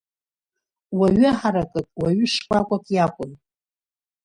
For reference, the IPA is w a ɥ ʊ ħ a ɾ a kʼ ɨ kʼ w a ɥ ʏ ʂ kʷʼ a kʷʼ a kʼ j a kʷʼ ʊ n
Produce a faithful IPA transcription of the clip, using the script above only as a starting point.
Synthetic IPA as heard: w a ɥ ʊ ħ a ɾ a kʼ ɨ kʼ w a ɥ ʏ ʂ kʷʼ a kʷʼ a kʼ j a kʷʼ ʊ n